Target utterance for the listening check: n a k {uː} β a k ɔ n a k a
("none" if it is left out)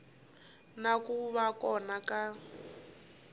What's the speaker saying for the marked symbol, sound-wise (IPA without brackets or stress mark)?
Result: u